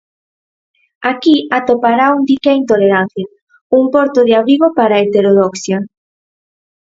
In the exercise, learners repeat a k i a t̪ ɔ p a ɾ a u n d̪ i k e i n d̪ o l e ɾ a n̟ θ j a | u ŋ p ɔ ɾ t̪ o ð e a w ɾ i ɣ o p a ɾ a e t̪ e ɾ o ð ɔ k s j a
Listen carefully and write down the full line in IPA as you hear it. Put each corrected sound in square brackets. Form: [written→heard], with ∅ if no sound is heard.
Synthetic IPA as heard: a k i a t̪ [ɔ→o] p a ɾ a u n d̪ i k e i n [d̪→t̪] o l e ɾ a n̟ θ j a | u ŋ p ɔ ɾ t̪ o ð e a [w→β] ɾ i ɣ o p a ɾ a e t̪ e ɾ o ð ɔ k s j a

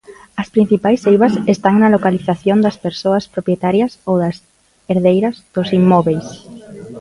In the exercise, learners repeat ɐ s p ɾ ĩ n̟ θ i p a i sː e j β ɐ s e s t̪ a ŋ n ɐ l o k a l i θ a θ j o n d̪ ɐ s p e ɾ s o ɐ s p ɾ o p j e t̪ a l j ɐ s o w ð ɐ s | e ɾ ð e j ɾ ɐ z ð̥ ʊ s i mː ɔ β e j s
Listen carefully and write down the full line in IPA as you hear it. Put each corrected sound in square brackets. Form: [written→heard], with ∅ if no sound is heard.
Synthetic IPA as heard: ɐ s p ɾ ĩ n̟ θ i p a [i→j] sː e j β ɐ s e s t̪ a ŋ n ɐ l o k a l i θ a θ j o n d̪ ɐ s p e ɾ s o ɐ s p ɾ o p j e t̪ a [l→ɾ] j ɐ s o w ð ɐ s | e ɾ ð e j ɾ ɐ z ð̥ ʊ s i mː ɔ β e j s

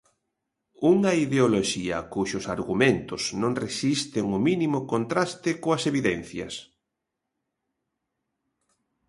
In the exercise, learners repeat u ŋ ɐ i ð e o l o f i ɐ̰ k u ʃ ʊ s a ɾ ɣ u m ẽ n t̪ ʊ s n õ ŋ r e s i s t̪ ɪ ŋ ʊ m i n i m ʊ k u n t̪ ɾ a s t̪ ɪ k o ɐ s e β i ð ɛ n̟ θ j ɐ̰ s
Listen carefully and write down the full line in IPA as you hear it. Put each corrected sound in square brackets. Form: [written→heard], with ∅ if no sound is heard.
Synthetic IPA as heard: u ŋ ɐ i ð e o l o [f→ʃ] i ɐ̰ k u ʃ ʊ s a ɾ ɣ u m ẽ n t̪ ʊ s n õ ŋ r e s i s t̪ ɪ ŋ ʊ m i n i m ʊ k [u→o] n t̪ ɾ a s t̪ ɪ k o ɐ s e β i ð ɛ n̟ θ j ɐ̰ s

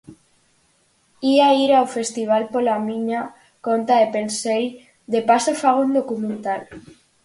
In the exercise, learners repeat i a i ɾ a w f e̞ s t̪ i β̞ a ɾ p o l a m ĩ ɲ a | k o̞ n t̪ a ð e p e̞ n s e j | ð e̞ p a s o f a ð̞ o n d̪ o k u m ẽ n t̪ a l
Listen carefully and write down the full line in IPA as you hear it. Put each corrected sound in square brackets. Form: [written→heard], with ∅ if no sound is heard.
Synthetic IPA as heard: i a i ɾ a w f e̞ s t̪ i β̞ a [ɾ→l] p o l a m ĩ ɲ a | k o̞ n t̪ a ð e p e̞ n s e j | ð e̞ p a s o f a [ð̞→ɣ̞] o n d̪ o k u m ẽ n t̪ a l

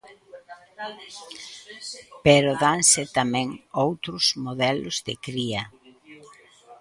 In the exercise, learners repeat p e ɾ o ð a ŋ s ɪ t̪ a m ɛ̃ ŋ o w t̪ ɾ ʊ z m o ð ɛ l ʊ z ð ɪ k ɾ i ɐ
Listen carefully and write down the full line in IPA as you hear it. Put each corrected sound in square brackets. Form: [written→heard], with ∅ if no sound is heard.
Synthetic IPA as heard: p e ɾ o ð a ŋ s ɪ t̪ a m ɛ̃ ŋ o w t̪ ɾ ʊ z m o ð ɛ l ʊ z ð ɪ k ɾ i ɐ

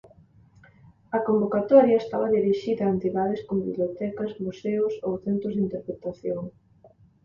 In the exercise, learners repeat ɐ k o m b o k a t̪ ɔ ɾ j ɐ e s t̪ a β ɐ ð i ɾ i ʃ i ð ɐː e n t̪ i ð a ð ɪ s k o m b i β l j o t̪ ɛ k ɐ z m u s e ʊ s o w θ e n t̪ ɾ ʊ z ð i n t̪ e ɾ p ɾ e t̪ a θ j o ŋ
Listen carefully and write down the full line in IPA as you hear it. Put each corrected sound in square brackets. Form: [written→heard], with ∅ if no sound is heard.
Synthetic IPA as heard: ɐ k o m b o k a t̪ ɔ ɾ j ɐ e s t̪ a β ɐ ð i ɾ i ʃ i ð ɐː e n t̪ i ð a ð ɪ s k o m b i β l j o t̪ ɛ k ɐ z m u s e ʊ s o w θ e n t̪ ɾ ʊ z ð i n t̪ e ɾ p ɾ e t̪ a θ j o ŋ

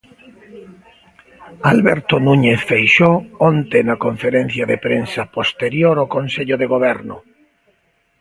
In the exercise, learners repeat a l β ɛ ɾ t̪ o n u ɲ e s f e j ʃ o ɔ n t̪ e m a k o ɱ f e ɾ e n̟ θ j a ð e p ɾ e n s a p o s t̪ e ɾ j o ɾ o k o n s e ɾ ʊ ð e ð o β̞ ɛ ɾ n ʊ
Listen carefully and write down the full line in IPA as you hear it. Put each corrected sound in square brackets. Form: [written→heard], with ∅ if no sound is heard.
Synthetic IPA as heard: a l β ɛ ɾ t̪ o n u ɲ e [s→θ] f e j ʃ o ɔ n t̪ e [m→n] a k o ɱ f e ɾ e n̟ θ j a ð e p ɾ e n s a p o s t̪ e ɾ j o ɾ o k o n s e [ɾ→ʎ] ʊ ð e [ð→ɣ] o β̞ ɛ ɾ n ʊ

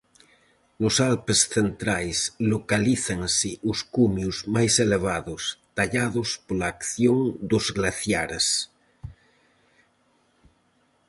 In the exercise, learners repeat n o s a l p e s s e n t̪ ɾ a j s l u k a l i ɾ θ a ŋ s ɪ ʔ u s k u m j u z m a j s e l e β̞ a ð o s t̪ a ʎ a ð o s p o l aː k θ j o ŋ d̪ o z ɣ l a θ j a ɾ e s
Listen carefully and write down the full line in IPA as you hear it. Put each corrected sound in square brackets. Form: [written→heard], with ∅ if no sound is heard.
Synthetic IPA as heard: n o s a l p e s [s→θ] e n t̪ ɾ a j s l [u→o] k a l i [ɾ→∅] θ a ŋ s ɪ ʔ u s k u m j u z m a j s e l e β̞ a ð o s t̪ a ʎ a ð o s p o l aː k θ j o ŋ d̪ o z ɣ l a θ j a ɾ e s

